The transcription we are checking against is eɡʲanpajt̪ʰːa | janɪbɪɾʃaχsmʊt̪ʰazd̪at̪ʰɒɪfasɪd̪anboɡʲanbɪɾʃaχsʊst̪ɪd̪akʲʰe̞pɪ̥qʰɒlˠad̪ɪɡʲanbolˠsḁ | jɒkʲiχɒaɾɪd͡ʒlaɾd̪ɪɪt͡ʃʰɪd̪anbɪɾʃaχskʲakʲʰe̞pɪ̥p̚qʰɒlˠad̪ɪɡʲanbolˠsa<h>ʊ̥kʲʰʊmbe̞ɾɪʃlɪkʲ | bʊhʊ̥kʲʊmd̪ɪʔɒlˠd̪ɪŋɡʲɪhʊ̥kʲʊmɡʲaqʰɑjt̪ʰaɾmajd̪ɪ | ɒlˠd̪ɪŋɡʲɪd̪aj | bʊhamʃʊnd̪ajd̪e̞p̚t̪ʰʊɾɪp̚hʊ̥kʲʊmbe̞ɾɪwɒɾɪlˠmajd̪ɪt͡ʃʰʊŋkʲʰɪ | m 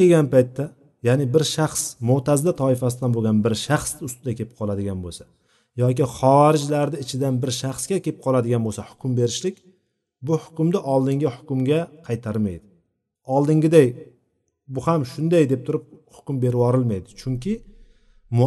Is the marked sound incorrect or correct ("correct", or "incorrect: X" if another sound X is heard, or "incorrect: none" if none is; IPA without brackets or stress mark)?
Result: correct